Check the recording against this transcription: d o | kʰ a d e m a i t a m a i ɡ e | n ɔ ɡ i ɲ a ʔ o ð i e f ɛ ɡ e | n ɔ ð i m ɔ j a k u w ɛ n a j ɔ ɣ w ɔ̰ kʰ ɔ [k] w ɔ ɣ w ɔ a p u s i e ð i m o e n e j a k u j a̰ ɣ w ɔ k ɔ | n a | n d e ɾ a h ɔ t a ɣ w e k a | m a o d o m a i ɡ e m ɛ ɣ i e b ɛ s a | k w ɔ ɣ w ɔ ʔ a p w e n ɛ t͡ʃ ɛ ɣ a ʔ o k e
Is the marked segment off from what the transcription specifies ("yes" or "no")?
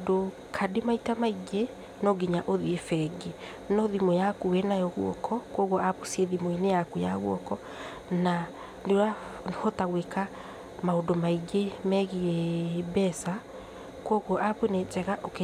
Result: no